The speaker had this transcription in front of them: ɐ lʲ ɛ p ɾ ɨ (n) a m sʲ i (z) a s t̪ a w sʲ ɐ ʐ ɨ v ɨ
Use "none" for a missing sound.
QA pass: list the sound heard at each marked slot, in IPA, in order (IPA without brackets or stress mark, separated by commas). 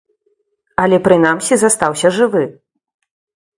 n, z